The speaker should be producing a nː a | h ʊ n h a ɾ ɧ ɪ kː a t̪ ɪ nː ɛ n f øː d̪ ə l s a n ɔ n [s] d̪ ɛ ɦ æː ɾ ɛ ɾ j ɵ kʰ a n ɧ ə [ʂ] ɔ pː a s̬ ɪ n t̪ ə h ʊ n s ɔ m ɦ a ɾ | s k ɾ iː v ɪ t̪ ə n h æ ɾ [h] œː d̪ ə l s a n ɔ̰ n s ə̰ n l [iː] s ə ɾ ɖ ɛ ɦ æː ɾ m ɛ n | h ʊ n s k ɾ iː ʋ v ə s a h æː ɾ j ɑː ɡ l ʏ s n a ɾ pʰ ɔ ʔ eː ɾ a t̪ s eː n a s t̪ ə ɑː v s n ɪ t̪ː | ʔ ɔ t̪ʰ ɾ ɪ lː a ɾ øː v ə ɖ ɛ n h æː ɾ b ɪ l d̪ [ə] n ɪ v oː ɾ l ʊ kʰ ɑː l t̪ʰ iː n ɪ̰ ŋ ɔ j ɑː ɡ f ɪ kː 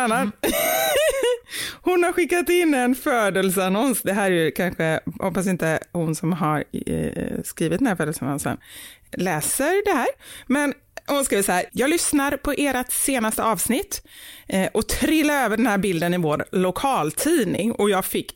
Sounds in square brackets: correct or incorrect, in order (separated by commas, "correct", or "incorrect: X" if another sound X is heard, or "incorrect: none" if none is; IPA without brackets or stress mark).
correct, incorrect: h, incorrect: f, incorrect: ɛː, correct